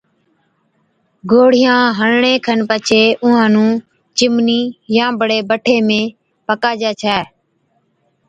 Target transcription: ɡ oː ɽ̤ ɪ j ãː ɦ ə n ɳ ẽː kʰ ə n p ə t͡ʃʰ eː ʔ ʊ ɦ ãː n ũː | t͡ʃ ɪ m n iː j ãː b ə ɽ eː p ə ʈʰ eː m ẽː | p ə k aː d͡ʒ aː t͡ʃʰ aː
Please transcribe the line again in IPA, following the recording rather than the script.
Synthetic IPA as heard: ɡ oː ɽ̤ ɪ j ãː ɦ ə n ɳ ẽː kʰ ə n p ə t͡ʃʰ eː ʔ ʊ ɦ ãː n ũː | t͡ʃ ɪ m n iː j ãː b ə ɽ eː b ə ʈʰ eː m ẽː | p ə k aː d͡ʒ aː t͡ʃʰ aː